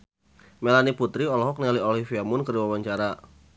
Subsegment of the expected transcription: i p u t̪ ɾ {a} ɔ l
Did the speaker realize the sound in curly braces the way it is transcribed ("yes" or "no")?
no